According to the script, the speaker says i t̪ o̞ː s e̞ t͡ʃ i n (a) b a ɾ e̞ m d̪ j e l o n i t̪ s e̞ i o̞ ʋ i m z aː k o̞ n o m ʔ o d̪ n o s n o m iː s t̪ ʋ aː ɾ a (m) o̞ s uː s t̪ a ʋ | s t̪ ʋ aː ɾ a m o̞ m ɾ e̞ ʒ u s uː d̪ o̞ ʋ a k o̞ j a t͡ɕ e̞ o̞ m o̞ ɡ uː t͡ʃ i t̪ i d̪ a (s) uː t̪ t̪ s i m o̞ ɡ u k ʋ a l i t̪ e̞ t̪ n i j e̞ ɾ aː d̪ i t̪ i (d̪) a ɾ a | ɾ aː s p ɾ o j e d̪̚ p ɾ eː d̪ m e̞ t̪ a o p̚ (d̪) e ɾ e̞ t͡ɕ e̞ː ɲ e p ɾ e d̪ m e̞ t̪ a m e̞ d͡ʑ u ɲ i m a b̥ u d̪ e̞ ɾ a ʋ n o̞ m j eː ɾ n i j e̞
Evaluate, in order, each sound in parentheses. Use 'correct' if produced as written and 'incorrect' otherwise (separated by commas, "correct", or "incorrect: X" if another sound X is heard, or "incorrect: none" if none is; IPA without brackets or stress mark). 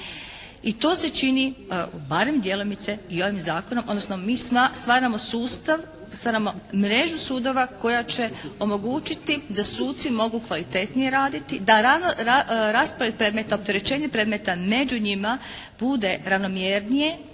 incorrect: i, correct, correct, correct, incorrect: t̪